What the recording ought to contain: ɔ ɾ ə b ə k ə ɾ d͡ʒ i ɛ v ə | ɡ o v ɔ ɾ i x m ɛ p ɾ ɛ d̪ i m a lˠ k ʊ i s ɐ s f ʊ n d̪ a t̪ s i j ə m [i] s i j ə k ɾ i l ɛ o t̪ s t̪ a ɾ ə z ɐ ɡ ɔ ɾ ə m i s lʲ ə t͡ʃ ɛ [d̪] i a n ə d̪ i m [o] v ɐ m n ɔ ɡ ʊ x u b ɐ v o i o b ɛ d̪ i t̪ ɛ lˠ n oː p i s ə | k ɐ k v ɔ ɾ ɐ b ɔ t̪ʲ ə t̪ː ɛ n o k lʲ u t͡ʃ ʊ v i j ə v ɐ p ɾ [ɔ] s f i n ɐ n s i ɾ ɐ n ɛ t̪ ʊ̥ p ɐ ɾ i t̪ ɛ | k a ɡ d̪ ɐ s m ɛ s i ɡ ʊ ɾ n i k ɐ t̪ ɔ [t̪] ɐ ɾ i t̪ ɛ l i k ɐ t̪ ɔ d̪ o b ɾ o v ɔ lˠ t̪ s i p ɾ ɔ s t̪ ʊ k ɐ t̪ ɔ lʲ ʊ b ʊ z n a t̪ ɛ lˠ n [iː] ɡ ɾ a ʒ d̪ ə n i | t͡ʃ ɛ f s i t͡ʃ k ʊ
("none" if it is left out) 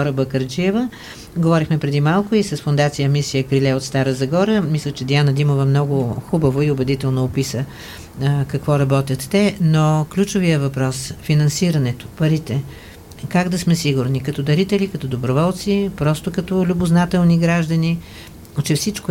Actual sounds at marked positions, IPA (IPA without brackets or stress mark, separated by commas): i, d̪, o, ɔ, d̪, i